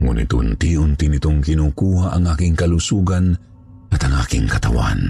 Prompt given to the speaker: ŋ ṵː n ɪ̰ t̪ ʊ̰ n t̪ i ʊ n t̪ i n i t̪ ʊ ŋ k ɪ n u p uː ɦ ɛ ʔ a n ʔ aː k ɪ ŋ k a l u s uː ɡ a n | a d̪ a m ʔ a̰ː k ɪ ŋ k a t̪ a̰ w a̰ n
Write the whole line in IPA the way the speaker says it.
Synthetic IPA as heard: ŋ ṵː n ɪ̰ t̪ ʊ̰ n t̪ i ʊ n t̪ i n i t̪ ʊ ŋ k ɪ n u k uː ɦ a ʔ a ŋ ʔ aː k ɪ ŋ k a l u s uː ɡ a n | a t̪ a ŋ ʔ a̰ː k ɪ ŋ k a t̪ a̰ w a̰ n